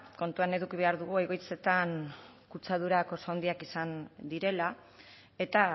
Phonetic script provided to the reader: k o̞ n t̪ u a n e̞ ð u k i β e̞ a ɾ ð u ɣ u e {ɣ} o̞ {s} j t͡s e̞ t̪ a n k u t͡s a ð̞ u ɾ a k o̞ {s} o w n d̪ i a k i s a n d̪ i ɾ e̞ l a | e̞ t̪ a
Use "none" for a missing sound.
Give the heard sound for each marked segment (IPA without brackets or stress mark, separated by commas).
ɣ, none, s